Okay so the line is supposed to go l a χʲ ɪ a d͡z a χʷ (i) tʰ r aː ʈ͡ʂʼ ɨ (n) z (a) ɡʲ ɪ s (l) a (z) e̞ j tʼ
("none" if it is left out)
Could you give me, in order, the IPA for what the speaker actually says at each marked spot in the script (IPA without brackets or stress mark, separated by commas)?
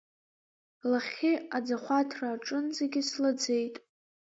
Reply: a, n, e, l, d͡z